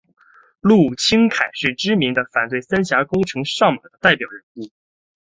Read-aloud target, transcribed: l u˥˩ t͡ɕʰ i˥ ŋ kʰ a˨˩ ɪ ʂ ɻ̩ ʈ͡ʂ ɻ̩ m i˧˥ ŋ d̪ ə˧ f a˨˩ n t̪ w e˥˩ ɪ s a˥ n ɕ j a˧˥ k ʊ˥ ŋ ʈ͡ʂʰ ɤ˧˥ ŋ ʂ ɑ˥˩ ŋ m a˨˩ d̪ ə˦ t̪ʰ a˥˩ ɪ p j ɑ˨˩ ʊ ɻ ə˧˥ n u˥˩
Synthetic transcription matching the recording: l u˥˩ t͡ɕʰ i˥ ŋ kʰ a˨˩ ɪ ʂ ɻ̩ ʈ͡ʂ ɻ̩ m i˧˥ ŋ d̪ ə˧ f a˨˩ n t̪ w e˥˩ ɪ s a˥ n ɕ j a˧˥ k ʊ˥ ŋ ʈ͡ʂʰ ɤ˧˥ ŋ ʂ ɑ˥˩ ŋ m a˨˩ d̪ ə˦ t̪ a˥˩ ɪ p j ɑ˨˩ ʊ ɻ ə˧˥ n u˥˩